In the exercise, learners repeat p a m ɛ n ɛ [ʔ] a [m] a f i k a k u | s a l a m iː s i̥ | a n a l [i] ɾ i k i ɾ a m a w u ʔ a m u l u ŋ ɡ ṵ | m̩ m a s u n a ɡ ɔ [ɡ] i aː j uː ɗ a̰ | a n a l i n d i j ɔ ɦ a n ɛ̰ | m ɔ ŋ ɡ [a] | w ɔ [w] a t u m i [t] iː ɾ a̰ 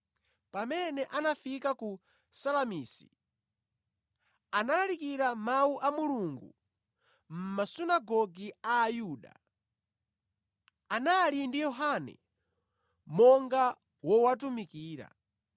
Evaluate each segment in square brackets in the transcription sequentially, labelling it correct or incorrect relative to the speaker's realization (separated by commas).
correct, incorrect, incorrect, correct, correct, correct, incorrect